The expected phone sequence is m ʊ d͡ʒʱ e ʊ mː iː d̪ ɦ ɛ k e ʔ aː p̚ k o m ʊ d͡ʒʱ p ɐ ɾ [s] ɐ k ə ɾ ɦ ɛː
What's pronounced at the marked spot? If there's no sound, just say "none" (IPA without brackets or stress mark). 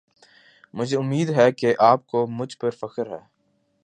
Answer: f